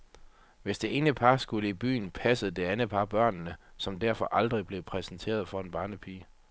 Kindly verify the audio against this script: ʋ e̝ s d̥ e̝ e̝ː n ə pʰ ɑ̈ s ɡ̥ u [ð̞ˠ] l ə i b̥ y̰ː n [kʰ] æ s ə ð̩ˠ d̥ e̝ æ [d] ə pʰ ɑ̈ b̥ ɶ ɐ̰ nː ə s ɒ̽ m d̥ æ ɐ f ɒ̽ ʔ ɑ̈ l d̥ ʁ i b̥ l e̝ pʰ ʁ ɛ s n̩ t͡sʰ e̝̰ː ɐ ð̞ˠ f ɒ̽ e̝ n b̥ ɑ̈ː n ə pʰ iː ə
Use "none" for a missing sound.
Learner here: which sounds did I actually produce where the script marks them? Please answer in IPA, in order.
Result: none, pʰ, n

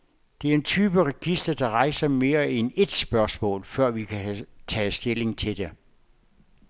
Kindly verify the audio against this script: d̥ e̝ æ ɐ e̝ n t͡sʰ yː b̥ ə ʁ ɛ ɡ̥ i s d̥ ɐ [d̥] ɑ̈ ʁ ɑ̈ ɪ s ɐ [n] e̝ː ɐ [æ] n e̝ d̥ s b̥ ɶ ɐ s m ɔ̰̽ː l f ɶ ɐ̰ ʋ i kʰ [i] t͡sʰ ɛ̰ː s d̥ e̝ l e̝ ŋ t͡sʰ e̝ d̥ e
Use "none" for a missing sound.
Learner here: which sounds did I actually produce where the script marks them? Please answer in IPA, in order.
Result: d̥, m, e, æ

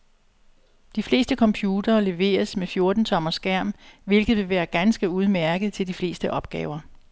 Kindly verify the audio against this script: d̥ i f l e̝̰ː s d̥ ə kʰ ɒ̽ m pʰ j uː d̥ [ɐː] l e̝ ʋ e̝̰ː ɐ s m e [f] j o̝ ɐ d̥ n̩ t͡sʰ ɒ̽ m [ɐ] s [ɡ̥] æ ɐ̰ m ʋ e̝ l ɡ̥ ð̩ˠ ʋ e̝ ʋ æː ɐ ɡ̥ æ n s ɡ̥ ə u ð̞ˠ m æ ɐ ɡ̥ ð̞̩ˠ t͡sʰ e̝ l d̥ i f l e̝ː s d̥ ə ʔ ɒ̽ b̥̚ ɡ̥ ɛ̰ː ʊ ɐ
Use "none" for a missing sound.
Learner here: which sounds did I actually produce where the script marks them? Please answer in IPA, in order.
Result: ɐː, f, ɐ, ɡ̥

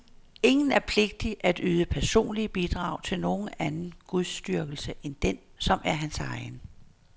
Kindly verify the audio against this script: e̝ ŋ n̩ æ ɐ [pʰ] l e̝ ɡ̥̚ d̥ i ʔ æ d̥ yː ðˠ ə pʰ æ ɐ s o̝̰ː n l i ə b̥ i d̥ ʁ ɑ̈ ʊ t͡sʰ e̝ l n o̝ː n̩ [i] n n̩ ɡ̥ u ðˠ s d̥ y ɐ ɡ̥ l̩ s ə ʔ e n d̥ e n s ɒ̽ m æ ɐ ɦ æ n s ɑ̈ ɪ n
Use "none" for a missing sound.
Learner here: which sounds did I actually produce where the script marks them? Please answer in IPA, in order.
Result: pʰ, æ

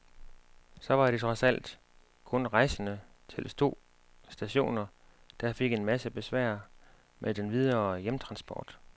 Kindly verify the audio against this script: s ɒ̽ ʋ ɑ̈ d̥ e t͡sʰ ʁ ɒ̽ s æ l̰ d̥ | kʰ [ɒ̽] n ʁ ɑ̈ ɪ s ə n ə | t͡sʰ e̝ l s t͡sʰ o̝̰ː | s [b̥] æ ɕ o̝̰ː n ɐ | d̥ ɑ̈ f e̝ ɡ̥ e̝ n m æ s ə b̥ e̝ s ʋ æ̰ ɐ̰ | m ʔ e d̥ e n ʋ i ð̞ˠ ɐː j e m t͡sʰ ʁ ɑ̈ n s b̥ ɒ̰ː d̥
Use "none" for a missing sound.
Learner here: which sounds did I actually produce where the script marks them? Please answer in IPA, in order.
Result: ɔ̽, d̥

